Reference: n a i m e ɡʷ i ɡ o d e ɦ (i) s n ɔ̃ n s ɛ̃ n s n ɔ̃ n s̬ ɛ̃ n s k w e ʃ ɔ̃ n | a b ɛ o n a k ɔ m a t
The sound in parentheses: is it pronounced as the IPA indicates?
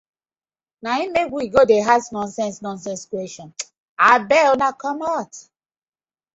no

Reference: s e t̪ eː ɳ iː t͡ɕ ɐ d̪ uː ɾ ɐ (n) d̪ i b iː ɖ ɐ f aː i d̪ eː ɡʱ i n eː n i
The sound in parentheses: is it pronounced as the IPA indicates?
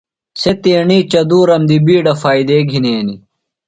no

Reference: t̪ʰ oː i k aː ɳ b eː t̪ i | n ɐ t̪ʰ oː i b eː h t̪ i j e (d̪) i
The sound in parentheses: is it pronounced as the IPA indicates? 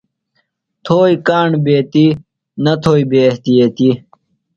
no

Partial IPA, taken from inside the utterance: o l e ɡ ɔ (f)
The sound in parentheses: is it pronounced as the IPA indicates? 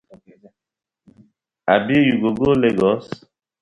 no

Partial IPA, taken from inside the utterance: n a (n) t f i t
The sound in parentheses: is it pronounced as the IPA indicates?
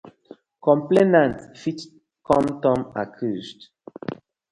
yes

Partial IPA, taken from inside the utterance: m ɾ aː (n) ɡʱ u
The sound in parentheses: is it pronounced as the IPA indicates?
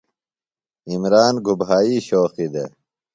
yes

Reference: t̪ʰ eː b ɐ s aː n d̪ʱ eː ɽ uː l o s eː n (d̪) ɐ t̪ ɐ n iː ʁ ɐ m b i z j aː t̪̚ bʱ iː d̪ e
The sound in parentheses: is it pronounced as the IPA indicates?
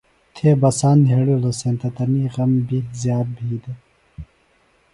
no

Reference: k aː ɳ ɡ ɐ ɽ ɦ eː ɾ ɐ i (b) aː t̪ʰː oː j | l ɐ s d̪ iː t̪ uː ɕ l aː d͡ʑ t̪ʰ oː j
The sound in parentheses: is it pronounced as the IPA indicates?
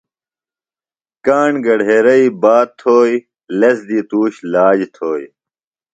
yes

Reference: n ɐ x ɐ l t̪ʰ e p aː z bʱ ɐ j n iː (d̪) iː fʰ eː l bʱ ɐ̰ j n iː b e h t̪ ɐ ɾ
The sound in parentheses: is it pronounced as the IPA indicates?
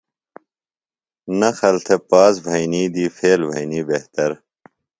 yes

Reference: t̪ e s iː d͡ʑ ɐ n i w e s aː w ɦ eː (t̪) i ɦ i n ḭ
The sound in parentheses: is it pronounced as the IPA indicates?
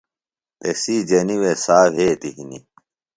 yes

